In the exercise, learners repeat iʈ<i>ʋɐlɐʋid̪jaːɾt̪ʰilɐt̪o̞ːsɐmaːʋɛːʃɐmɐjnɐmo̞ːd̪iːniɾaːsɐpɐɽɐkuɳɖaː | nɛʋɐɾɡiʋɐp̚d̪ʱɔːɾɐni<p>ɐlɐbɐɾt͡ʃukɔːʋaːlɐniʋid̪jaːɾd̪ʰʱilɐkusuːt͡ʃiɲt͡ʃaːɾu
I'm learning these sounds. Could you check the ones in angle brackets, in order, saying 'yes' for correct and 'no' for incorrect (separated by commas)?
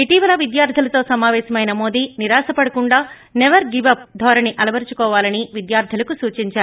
no, no